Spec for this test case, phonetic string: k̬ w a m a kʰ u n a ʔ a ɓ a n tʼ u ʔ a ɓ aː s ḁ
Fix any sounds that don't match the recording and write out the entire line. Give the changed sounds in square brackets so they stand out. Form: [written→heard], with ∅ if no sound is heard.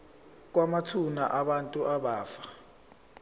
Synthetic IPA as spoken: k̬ w a m a [kʰ→tʰ] u n a ʔ a ɓ a n tʼ u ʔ a ɓ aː [s→f] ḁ